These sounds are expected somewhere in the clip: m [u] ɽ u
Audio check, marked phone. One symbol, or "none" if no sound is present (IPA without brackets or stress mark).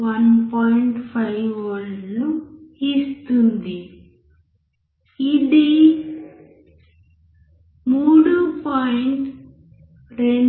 uː